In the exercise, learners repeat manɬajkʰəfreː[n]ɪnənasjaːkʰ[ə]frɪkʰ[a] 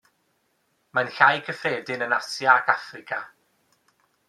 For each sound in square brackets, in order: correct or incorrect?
incorrect, incorrect, correct

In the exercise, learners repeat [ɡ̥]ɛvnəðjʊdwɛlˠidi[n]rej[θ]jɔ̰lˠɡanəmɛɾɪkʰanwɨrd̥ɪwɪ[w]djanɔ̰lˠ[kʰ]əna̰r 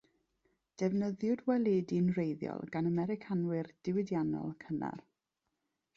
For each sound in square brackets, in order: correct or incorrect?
incorrect, correct, incorrect, incorrect, correct

